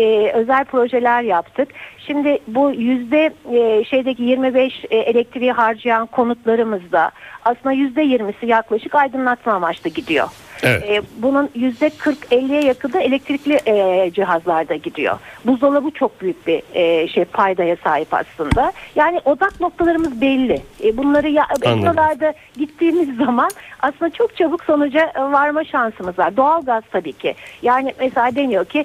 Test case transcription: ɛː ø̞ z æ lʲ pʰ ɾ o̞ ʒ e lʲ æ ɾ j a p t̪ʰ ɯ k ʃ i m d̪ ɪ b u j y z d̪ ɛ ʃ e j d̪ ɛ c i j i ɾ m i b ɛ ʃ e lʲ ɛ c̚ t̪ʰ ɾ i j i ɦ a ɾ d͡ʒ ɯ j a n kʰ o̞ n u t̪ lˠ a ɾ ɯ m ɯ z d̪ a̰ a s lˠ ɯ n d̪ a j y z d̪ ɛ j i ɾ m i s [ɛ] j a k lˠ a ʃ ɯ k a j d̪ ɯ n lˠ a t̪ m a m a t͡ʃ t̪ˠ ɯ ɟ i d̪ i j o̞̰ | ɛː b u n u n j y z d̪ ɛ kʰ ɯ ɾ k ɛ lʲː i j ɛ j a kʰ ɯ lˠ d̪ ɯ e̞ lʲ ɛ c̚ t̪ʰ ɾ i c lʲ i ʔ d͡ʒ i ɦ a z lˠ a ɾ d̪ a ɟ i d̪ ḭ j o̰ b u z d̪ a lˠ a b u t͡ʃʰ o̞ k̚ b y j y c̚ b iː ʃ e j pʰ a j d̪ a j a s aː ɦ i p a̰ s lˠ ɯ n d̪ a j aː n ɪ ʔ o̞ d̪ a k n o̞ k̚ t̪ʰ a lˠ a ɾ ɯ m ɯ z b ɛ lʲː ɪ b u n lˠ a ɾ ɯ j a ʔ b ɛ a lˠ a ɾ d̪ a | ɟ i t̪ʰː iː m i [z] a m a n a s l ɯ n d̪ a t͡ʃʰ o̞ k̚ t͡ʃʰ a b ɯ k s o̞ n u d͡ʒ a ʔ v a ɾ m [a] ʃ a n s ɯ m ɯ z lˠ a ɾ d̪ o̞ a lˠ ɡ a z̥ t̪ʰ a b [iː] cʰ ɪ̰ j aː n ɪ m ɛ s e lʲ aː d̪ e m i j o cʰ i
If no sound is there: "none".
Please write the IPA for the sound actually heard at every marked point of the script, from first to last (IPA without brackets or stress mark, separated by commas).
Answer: i, zː, a, iː